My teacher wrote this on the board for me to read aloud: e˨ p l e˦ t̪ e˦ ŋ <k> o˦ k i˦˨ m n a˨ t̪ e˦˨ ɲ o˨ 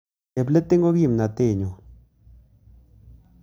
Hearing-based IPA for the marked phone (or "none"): ɡ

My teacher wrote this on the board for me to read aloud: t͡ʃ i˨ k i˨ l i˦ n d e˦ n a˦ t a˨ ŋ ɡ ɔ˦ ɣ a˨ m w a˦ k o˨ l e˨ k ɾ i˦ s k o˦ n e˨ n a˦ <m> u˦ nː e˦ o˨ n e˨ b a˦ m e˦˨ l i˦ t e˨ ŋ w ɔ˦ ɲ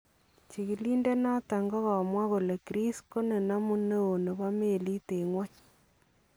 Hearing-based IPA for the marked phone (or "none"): m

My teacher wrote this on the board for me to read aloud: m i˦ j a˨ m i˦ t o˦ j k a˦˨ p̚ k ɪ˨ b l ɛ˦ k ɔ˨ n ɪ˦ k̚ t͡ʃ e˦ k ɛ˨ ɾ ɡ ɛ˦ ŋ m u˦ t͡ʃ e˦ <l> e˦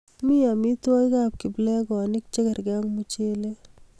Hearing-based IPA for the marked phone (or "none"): l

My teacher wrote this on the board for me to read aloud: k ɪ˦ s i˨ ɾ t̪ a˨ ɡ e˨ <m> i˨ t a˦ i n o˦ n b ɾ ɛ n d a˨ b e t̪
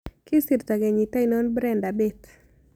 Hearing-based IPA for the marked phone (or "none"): ɲ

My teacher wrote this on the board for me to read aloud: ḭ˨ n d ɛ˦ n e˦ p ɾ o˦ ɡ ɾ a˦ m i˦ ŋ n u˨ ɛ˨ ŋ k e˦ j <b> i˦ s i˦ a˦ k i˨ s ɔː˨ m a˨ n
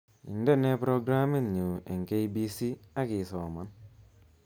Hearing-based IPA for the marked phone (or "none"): b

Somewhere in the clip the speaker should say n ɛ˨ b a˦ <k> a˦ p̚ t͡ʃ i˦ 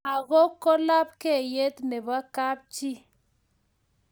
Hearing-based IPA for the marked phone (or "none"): k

